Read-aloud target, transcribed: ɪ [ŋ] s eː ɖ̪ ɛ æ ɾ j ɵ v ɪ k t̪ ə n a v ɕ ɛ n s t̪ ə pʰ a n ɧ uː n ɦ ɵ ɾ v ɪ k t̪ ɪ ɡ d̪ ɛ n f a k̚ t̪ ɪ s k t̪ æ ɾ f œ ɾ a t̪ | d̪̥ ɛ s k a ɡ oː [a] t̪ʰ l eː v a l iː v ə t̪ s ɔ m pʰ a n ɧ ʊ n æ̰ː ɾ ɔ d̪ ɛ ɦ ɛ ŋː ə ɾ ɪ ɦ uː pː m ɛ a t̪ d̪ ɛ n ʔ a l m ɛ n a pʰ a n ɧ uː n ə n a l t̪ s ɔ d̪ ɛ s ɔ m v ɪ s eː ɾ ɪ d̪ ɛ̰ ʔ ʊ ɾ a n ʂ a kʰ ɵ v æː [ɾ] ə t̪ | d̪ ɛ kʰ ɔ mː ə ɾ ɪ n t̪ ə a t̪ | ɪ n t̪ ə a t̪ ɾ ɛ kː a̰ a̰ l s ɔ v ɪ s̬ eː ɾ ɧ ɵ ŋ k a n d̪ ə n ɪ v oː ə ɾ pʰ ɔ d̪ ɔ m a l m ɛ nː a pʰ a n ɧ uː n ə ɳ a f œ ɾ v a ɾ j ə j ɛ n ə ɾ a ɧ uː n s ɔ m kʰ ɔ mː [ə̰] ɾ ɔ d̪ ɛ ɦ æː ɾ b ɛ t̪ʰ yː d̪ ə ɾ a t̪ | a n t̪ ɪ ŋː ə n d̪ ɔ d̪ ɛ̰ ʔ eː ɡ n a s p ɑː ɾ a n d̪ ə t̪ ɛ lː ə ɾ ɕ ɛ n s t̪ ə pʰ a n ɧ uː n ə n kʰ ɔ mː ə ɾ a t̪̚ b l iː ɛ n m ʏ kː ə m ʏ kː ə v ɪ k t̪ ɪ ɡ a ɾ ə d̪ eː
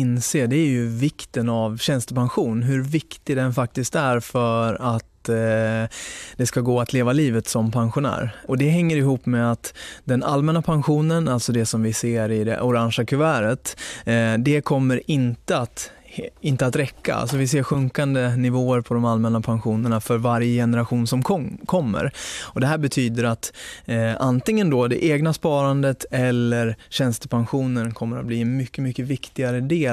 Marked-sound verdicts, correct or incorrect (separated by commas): incorrect, correct, correct, correct